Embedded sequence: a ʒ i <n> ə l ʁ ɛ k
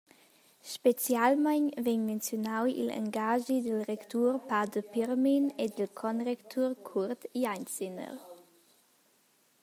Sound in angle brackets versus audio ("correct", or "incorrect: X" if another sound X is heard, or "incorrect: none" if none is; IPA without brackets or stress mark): incorrect: d